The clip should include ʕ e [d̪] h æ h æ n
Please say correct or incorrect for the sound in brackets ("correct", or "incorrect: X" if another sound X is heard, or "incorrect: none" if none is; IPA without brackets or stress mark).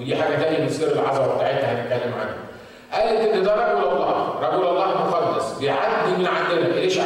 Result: incorrect: t̪